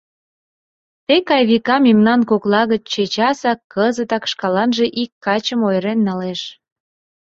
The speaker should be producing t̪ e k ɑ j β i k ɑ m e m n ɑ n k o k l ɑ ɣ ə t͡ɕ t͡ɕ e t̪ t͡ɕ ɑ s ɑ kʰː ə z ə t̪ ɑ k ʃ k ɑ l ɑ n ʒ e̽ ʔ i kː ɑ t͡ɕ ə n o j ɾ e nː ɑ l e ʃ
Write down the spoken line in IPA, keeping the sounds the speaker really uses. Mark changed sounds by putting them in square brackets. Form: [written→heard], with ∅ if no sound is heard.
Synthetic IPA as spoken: t̪ e k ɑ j β i k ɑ m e m n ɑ n k o k l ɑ ɣ ə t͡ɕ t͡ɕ e [t̪→∅] t͡ɕ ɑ s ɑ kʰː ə z ə t̪ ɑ k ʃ k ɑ l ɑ n ʒ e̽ ʔ i kː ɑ t͡ɕ ə [n→m] o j ɾ e nː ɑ l e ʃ